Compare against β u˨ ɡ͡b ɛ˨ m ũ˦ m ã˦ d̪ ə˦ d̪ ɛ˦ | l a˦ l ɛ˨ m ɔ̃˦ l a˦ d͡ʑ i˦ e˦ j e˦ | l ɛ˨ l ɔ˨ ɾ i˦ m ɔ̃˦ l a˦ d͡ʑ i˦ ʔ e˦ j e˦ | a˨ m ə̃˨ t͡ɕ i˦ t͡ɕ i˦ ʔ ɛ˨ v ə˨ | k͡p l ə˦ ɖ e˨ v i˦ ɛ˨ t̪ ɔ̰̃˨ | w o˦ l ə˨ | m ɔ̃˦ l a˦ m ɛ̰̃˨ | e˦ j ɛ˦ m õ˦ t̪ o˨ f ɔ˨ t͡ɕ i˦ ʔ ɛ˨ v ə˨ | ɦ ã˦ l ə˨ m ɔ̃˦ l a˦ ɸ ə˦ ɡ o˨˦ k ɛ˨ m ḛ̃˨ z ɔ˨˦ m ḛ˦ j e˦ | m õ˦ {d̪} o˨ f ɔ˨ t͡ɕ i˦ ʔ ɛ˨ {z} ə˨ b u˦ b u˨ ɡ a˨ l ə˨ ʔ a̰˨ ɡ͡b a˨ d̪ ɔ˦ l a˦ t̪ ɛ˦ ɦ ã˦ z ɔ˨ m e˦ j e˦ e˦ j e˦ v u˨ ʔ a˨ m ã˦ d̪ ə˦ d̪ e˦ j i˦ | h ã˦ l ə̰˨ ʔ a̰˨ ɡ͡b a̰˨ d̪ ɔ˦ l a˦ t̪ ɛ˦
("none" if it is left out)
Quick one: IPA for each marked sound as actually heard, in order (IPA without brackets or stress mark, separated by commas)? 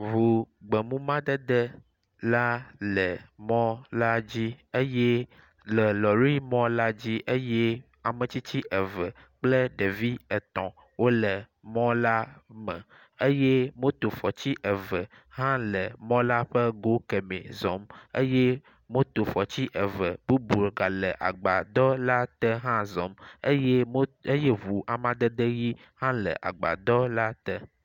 t̪, v